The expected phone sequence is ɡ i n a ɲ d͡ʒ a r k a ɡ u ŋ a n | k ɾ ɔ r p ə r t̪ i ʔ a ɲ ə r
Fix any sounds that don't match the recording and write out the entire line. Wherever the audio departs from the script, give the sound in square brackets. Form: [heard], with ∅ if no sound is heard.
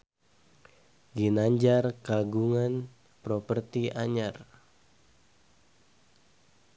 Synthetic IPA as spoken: ɡ i n a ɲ d͡ʒ a r k a ɡ u ŋ a n | [p] ɾ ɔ [∅] p ə r t̪ i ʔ a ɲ [a] r